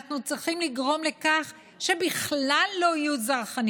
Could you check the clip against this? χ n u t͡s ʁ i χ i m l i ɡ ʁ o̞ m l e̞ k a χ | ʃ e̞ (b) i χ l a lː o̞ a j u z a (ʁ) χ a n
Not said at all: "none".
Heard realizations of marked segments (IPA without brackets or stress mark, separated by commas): b, ʁ